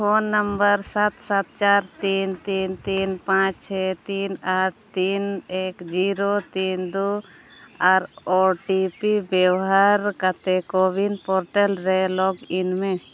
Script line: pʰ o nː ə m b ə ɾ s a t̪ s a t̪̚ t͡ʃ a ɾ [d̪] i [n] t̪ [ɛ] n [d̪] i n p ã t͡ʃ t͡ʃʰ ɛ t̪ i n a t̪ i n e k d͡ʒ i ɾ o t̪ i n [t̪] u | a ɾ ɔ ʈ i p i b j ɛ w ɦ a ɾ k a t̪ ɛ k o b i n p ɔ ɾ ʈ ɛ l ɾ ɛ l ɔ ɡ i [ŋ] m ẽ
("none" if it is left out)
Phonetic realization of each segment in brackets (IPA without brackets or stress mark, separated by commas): t̪, n, i, t̪, d̪, n